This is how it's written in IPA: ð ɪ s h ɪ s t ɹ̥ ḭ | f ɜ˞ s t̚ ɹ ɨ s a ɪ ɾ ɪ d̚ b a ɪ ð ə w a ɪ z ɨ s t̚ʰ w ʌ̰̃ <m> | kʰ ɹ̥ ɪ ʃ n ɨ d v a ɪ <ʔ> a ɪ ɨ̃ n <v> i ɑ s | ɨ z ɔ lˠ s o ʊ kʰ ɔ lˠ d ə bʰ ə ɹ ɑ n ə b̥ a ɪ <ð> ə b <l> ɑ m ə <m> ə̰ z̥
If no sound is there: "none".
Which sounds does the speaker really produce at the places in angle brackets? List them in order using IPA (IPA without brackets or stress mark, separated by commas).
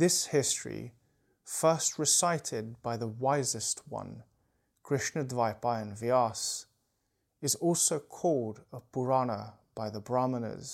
n, p, v, ð, ɹ, n